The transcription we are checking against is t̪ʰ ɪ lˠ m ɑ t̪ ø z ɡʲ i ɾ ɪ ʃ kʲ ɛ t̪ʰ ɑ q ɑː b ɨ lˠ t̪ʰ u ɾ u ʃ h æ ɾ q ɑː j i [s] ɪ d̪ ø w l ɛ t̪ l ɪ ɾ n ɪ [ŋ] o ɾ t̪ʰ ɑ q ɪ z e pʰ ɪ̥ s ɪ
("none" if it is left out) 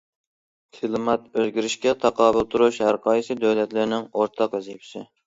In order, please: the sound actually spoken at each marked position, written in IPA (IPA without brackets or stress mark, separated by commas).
s, ŋ